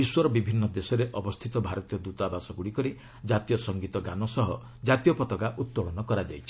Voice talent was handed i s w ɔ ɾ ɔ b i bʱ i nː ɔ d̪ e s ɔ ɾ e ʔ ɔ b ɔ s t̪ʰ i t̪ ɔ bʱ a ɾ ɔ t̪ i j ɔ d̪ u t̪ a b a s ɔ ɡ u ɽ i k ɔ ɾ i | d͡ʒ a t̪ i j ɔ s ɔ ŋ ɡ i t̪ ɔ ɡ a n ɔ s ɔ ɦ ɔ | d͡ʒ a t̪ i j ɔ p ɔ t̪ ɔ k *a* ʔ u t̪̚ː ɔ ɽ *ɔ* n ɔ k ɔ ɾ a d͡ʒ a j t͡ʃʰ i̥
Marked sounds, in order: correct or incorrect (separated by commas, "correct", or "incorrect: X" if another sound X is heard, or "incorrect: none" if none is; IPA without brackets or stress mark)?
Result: correct, correct